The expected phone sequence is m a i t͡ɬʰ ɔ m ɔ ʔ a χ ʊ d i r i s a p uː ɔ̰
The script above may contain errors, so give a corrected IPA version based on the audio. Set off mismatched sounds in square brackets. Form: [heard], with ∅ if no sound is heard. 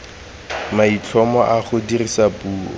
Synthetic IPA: m a i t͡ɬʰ ɔ m ɔ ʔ a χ ʊ d i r i s a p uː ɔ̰